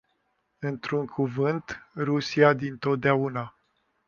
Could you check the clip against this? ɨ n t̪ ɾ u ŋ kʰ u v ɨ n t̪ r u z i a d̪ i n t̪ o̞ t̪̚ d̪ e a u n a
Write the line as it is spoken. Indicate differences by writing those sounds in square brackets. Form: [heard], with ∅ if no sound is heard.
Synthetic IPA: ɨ n t̪ ɾ u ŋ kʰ u v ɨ n t̪ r u [s] i a d̪ i n t̪ o̞ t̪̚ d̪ e a u n a